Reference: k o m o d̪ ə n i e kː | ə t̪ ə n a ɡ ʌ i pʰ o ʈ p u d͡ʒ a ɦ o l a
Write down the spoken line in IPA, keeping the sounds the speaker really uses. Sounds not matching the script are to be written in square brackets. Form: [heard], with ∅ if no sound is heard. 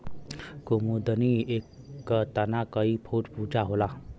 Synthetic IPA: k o m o d̪ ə n i e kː | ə t̪ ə n a [k] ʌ i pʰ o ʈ p u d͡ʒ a ɦ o l a

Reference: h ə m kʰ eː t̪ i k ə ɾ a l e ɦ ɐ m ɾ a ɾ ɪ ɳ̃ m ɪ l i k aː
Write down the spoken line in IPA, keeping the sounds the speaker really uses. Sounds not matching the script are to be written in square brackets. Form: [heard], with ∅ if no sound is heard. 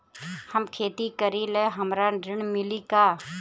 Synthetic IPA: h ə m kʰ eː t̪ i k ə ɾ [i] l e ɦ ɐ m ɾ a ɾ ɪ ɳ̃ m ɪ l i k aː

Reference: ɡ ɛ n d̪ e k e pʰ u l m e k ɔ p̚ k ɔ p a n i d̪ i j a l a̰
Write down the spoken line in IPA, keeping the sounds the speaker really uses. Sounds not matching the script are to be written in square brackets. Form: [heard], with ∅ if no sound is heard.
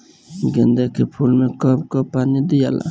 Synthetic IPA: ɡ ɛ n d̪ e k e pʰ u l m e k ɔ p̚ k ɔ p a n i d̪ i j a l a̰

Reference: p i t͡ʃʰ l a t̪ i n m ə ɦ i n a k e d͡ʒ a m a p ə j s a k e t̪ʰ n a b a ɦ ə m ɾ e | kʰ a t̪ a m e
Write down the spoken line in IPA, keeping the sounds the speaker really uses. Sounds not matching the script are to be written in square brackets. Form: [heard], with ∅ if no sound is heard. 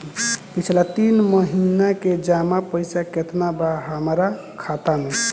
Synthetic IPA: p i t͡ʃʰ l a t̪ i n m ə ɦ i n a k e d͡ʒ a m a p ə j s a k e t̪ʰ n a b a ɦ ə m ɾ [a] | kʰ a t̪ a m e

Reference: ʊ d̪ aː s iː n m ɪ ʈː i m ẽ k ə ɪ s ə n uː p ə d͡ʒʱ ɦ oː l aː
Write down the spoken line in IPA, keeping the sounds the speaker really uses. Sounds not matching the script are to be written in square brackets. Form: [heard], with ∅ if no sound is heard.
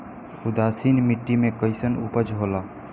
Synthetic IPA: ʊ d̪ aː s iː n m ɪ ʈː i m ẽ k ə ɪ s ə n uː p ə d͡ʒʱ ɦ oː l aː

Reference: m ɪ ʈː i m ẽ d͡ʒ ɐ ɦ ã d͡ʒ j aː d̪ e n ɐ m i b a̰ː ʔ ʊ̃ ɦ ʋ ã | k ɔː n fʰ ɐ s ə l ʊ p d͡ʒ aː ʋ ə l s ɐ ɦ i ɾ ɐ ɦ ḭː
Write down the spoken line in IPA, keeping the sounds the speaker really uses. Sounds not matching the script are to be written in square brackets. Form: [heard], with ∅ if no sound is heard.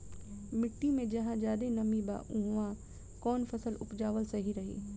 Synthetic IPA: m ɪ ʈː i m ẽ d͡ʒ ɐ ɦ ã d͡ʒ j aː d̪ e n ɐ m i b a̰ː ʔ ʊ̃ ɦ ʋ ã | k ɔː n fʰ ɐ s ə l ʊ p d͡ʒ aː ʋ ə l s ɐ ɦ i ɾ ɐ ɦ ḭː

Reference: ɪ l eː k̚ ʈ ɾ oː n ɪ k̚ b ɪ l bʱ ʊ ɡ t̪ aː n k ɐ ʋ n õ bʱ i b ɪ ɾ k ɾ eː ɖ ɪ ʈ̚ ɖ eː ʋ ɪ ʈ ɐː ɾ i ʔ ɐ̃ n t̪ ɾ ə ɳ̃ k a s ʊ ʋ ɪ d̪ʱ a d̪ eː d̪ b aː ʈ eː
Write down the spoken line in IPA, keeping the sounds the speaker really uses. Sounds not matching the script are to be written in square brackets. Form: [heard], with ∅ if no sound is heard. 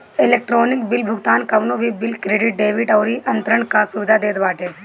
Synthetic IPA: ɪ l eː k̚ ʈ ɾ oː n ɪ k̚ b ɪ l bʱ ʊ ɡ t̪ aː n k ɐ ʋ n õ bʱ i b ɪ [l] k ɾ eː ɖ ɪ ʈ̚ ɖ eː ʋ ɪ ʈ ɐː ɾ i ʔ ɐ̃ n t̪ ɾ ə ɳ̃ k a s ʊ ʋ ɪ d̪ʱ a d̪ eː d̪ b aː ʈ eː

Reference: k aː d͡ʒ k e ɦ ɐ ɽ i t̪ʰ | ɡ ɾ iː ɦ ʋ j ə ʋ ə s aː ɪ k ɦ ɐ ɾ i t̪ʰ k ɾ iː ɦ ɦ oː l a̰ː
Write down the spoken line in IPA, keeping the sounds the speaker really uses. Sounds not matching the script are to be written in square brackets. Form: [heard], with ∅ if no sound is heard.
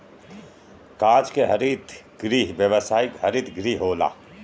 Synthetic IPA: k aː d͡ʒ k e ɦ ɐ [ɾ] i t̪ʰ | ɡ ɾ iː ɦ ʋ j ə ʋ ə s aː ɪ k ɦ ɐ ɾ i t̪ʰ [ɡ] ɾ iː ɦ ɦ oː l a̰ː

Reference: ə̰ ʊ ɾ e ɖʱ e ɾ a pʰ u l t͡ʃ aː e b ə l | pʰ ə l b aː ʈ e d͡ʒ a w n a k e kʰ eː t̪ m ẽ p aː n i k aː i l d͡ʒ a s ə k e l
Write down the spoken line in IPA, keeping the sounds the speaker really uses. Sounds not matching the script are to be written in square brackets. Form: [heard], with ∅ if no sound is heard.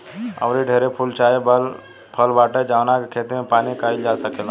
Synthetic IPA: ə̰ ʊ ɾ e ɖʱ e ɾ [e] pʰ u l t͡ʃ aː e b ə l | pʰ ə l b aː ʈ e d͡ʒ a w n a k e kʰ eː t̪ m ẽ p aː n i k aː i l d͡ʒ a s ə k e l

